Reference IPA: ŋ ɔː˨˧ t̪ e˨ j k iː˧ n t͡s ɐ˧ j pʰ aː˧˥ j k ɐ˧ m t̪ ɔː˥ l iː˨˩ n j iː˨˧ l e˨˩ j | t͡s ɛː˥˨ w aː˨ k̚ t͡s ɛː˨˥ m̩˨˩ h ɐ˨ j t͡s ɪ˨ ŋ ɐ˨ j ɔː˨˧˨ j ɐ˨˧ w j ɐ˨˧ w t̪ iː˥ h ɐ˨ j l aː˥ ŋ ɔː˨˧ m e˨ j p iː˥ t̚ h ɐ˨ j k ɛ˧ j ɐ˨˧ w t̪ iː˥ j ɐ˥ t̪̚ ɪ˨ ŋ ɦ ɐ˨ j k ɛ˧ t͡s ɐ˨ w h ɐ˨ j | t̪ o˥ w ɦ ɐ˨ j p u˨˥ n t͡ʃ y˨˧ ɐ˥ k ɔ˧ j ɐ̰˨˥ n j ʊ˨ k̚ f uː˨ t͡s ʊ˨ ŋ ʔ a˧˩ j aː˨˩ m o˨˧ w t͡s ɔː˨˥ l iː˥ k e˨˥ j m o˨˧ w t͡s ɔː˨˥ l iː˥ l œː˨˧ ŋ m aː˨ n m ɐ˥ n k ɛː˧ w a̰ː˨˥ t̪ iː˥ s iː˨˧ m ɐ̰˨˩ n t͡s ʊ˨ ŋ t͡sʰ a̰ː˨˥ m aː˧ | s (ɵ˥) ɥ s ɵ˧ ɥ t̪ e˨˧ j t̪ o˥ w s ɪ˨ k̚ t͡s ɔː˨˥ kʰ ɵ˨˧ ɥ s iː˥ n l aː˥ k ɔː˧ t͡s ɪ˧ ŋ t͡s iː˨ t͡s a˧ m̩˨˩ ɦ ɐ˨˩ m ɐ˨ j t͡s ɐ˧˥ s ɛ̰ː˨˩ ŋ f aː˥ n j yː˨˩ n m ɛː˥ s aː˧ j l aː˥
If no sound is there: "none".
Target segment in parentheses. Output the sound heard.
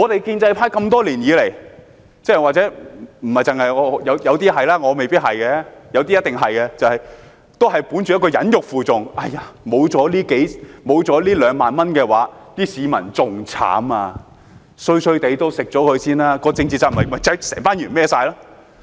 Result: ɵ˧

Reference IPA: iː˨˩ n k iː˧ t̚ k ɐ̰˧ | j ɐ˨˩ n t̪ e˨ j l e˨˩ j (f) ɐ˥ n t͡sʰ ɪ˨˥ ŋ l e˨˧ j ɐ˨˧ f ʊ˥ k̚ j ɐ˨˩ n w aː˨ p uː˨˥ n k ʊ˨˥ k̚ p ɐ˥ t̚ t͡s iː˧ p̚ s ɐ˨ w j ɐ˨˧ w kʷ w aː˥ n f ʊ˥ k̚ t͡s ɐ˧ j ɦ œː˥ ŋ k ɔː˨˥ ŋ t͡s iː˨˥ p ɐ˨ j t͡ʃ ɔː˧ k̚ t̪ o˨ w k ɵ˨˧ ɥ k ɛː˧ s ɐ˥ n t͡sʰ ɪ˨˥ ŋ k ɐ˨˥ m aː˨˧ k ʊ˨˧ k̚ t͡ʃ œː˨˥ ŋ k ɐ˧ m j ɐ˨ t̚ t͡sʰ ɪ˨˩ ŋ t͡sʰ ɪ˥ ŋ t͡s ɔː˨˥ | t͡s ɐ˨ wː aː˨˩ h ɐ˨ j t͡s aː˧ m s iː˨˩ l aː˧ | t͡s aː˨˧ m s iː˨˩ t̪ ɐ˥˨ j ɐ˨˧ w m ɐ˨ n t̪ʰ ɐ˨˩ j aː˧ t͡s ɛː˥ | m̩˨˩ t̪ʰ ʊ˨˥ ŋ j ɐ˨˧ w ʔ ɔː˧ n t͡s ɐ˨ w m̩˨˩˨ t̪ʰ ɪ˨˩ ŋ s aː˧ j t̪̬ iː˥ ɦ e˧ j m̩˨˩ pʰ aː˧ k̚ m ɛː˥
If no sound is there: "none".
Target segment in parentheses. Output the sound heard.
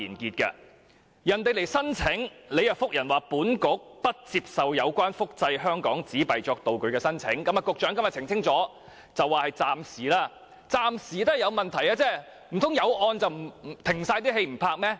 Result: s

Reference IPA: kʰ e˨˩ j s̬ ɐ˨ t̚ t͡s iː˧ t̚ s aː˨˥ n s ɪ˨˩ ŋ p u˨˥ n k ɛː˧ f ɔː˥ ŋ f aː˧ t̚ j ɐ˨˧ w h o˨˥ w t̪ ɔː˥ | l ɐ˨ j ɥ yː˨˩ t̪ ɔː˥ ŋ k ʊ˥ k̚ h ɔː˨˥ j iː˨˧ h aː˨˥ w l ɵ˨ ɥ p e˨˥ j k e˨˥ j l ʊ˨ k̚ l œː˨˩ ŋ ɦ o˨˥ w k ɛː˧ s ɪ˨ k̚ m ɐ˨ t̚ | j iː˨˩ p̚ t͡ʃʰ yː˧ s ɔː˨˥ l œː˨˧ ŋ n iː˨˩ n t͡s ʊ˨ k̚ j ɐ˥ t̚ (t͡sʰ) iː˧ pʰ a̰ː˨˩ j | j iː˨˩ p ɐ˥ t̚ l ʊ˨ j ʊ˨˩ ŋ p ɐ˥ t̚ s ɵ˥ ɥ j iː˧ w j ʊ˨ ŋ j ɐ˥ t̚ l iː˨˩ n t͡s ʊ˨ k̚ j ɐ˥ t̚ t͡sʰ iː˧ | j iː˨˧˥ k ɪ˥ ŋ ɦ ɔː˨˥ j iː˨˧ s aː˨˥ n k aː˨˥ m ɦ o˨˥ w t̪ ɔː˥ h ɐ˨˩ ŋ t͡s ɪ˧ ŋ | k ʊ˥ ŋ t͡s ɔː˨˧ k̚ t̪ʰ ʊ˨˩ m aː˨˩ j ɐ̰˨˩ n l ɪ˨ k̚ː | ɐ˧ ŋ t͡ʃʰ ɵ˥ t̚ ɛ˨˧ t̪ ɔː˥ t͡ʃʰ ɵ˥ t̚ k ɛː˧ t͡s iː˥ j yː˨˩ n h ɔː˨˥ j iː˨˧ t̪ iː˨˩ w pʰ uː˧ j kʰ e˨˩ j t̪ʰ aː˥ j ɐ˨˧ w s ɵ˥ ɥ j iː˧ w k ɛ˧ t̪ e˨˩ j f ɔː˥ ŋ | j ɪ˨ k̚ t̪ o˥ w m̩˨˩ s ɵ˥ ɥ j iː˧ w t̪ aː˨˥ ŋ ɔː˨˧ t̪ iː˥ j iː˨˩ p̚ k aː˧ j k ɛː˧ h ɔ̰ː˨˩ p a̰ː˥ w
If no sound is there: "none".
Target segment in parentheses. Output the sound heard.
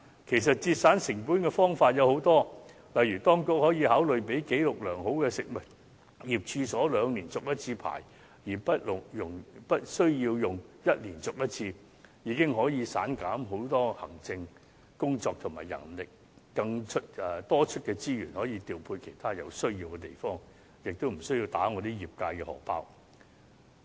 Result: t͡sʰ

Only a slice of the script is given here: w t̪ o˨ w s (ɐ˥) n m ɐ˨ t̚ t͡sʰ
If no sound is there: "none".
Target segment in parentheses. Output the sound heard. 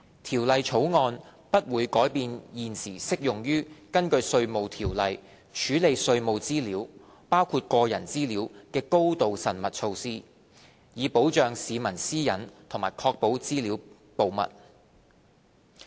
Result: ɐ˨˩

